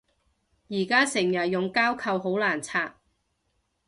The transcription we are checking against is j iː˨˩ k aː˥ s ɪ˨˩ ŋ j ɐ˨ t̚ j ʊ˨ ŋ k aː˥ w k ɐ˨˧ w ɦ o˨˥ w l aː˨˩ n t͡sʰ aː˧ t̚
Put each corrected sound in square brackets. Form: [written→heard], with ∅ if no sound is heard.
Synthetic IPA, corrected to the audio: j iː˨˩ k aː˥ s ɪ˨˩ ŋ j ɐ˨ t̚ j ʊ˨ ŋ k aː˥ w [k→kʰ] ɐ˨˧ w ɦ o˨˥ w l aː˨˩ n t͡sʰ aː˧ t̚